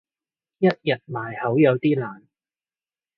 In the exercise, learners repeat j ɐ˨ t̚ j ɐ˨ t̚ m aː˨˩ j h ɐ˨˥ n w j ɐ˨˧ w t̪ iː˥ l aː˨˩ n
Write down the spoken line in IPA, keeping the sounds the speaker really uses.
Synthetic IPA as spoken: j ɐ˥ t̚ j ɐ˨ t̚ m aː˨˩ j h ɐ˨˥ w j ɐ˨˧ w t̪ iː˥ l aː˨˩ n